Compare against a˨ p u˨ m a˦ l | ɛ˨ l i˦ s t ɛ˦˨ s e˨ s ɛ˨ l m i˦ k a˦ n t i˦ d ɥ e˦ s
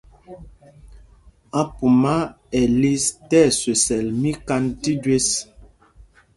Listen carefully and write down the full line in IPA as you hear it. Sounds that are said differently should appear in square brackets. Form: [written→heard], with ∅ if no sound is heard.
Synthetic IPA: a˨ p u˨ m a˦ [l→∅] | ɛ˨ l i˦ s t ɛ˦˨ s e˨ s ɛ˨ l m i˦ k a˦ n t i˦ d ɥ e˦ s